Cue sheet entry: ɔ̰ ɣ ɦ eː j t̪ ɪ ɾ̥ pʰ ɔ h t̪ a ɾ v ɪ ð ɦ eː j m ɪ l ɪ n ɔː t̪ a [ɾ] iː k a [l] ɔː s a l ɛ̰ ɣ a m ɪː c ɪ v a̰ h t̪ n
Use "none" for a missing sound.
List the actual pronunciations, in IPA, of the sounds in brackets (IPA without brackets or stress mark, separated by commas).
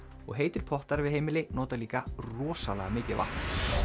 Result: l, r